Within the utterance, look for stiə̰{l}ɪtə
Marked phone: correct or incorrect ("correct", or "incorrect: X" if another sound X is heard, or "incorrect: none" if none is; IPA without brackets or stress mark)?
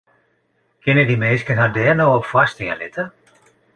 correct